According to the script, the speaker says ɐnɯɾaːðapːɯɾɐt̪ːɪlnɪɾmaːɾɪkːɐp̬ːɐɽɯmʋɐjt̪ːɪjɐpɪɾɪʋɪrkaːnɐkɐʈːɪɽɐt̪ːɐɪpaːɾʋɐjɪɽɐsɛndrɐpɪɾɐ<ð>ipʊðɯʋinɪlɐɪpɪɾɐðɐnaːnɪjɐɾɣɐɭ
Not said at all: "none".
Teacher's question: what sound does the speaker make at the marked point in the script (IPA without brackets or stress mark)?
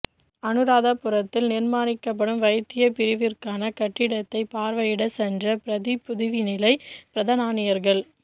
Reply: ð